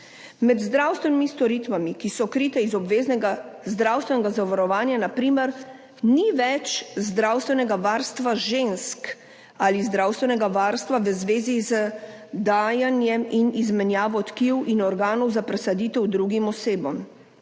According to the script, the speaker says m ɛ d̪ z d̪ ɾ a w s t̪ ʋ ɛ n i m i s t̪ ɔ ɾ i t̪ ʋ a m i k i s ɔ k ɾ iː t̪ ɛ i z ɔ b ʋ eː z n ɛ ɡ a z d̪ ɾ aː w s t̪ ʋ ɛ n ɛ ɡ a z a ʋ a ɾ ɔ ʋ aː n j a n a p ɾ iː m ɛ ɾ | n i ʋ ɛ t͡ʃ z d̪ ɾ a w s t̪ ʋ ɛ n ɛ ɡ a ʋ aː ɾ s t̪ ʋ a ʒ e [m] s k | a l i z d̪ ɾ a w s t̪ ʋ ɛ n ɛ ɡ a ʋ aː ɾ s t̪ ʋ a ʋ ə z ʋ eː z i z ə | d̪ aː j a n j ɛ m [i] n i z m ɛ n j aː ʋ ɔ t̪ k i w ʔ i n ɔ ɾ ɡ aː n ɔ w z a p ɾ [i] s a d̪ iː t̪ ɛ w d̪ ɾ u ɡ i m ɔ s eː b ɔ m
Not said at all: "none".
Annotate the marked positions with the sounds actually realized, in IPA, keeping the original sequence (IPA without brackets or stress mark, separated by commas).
n, i, ɛ